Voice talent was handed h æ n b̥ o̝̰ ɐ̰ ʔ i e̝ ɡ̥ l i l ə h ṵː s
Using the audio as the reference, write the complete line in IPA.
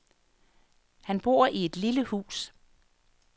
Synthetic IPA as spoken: h æ n b̥ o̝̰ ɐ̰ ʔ i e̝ d̥ l i l ə h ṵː s